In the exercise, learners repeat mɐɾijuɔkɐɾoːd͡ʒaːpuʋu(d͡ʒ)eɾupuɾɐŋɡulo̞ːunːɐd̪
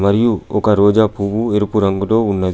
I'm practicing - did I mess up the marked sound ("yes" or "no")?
yes